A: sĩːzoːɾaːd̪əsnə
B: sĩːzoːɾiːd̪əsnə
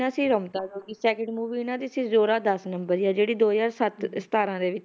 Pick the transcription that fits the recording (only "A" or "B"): A